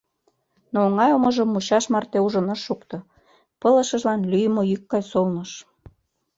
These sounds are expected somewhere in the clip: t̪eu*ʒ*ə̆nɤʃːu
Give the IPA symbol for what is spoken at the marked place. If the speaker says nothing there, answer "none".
ʒ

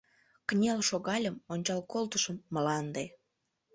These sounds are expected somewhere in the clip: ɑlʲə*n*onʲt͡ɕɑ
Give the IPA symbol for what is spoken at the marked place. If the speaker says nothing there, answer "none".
m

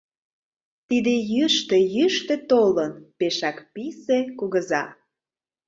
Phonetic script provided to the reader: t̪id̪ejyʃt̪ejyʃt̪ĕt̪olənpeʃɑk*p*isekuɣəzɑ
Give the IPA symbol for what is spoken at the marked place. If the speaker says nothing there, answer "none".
p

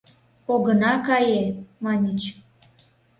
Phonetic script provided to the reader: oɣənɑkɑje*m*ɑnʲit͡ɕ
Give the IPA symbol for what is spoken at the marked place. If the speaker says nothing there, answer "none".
m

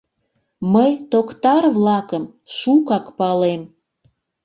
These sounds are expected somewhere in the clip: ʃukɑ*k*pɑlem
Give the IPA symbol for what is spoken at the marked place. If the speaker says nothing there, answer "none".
k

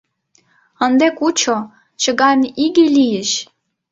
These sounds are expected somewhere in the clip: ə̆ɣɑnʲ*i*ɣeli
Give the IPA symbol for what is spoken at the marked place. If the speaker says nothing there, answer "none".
i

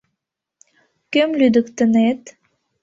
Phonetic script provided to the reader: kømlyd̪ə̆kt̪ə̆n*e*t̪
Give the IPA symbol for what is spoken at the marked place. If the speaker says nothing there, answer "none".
e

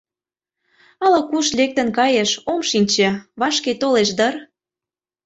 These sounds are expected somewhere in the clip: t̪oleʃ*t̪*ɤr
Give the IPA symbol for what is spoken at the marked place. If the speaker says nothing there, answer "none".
d̪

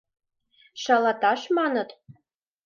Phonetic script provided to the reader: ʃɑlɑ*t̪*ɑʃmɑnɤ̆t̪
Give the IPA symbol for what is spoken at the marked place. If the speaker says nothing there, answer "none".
t̪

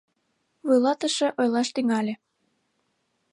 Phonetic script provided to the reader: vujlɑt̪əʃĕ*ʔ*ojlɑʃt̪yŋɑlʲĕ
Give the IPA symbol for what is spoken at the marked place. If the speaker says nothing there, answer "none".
ʔ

